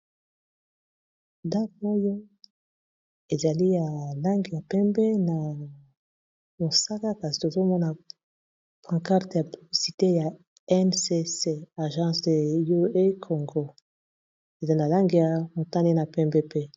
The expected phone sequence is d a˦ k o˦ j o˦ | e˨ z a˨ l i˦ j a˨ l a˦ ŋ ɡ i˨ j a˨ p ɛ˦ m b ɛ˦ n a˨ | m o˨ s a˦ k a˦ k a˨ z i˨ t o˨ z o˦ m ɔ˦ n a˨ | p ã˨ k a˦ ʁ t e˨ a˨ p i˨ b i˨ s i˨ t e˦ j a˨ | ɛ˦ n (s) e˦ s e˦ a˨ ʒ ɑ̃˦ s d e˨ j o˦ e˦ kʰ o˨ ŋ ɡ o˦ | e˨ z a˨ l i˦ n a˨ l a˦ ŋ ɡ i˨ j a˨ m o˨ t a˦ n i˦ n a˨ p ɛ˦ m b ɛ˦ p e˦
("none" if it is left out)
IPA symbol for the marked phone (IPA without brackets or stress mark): s